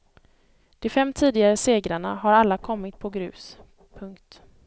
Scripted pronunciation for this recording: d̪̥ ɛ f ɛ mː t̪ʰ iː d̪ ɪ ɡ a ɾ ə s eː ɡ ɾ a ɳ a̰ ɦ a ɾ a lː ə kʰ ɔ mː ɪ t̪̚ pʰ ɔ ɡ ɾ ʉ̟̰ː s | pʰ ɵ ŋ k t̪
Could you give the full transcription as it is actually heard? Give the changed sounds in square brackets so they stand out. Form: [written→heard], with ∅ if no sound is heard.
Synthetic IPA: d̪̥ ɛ f ɛ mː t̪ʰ iː d̪ ɪ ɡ a ɾ ə s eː ɡ ɾ a ɳ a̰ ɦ a ɾ a lː [ə→a] kʰ ɔ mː ɪ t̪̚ pʰ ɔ ɡ ɾ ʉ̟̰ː s | pʰ ɵ ŋ k t̪